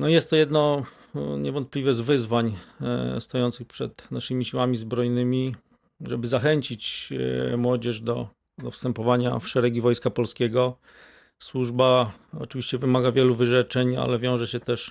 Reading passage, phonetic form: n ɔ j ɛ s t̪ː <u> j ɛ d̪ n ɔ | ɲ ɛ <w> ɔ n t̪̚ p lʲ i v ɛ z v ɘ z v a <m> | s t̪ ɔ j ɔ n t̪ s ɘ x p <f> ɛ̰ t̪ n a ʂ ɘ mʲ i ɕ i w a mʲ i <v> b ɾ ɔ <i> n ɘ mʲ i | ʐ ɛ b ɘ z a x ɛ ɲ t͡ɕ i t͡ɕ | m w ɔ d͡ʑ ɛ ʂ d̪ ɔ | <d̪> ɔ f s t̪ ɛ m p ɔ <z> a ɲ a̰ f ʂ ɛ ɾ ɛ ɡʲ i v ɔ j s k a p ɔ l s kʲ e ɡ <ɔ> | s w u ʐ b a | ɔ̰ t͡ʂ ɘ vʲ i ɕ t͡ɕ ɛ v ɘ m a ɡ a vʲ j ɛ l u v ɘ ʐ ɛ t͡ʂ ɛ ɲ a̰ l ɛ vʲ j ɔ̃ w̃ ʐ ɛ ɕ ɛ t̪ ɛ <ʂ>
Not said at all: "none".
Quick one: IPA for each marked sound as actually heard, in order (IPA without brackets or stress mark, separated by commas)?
ɔ, v, ɲ, ʂ, z, j, d̪, v, ɔ, ʂ